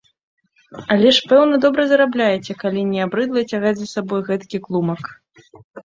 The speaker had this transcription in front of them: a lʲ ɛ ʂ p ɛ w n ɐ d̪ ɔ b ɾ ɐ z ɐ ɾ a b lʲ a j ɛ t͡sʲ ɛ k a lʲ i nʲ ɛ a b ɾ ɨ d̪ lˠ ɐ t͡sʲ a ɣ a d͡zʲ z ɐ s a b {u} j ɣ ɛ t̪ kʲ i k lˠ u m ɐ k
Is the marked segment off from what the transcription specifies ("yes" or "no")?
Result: yes